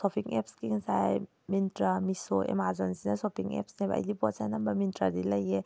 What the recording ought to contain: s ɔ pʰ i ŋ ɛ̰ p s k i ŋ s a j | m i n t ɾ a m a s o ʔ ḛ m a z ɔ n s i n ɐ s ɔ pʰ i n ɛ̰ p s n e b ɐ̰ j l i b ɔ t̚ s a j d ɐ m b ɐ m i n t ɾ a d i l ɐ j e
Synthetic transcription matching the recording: s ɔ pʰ i ŋ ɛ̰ p s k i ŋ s a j | m i n t ɾ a m i s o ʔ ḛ m a z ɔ n s i n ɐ s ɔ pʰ i ŋ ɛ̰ p s n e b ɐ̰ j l i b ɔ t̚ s a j n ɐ m b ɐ m i n t ɾ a d i l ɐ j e